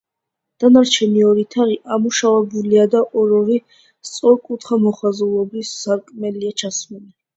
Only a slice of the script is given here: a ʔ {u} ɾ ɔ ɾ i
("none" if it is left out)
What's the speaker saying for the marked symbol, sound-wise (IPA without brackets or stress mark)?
ɔ